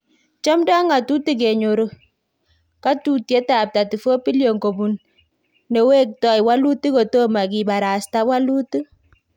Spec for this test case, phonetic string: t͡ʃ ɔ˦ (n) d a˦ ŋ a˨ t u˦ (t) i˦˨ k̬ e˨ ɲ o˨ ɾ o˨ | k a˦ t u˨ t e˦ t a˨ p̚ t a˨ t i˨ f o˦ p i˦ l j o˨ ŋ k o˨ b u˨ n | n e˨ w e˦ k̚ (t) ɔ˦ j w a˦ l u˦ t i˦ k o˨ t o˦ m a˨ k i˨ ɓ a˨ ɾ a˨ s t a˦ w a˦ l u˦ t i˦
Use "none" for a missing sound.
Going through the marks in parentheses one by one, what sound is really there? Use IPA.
m, t, t

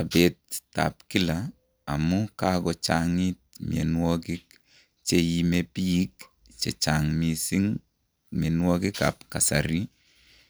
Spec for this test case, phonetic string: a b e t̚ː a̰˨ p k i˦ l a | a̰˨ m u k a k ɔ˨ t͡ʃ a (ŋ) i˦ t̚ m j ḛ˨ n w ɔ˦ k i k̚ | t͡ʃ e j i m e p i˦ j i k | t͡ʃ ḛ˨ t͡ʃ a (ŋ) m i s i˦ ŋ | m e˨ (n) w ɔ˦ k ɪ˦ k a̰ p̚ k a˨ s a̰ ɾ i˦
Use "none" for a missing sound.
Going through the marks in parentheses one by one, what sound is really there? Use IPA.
ŋ, ŋ, n

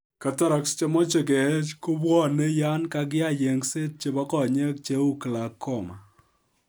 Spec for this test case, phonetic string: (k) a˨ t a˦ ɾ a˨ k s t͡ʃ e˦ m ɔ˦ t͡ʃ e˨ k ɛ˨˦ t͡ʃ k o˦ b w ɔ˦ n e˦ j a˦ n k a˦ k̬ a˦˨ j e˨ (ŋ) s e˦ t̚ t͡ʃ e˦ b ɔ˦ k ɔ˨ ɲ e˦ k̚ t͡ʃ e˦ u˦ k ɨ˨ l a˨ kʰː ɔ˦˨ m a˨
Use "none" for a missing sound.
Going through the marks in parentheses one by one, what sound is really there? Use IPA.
k, ŋ

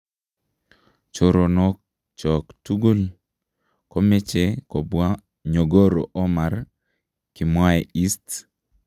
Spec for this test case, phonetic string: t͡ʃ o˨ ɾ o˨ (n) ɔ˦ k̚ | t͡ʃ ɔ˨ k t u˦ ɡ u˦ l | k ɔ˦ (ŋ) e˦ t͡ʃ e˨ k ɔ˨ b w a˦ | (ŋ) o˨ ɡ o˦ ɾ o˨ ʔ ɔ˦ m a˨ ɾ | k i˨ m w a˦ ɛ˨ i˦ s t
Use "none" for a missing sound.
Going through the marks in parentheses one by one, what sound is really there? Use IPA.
n, m, ɲ

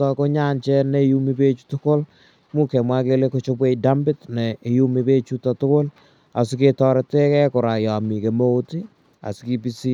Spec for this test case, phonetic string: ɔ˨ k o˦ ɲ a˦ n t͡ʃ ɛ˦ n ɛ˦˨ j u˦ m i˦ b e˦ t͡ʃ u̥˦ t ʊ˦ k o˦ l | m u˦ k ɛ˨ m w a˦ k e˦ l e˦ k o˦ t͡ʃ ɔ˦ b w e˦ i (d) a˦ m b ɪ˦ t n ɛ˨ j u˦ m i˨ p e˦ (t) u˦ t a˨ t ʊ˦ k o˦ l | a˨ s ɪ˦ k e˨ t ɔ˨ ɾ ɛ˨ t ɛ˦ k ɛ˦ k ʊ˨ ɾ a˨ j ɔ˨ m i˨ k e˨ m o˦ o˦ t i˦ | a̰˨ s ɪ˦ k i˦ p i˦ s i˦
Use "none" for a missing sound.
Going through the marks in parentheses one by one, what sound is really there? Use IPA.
d, t͡ʃ

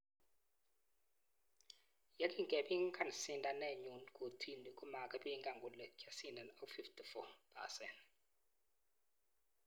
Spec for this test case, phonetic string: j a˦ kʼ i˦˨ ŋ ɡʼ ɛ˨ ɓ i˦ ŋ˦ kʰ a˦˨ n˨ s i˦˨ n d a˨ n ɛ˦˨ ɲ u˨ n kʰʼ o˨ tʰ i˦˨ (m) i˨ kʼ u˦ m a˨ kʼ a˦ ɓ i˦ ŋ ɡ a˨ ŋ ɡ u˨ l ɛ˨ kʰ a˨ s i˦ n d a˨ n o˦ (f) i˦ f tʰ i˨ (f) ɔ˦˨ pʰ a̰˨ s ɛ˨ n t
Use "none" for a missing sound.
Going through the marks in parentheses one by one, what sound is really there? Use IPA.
n, f, f

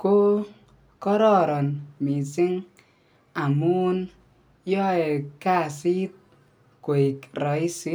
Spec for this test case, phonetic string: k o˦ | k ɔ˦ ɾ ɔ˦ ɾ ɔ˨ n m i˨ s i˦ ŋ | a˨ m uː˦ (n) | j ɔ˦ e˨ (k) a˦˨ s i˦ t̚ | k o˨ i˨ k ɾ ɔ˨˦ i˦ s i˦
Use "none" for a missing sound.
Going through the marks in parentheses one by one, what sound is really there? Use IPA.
n, k

